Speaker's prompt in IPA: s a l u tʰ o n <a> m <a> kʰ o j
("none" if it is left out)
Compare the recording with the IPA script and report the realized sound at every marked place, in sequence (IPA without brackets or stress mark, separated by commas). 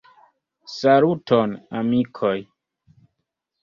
a, i